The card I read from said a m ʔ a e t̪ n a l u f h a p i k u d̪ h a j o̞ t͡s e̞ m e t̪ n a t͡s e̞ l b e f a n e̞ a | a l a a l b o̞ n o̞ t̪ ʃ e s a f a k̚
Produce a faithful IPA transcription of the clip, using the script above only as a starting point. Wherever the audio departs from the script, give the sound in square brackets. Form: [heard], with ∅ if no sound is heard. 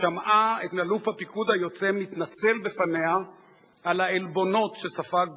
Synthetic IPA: a m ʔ a e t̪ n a l u f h a p i k u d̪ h a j o̞ t͡s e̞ m [i] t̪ n a t͡s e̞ l b e f a n e̞ a | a l a [e] l b o̞ n o̞ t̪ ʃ e s a f a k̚